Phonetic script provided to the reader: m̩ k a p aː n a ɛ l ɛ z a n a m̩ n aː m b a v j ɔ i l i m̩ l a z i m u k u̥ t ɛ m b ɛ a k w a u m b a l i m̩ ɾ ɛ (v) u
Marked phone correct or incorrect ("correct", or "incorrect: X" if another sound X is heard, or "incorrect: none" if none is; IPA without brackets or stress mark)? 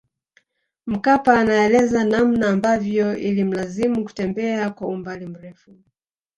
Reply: incorrect: f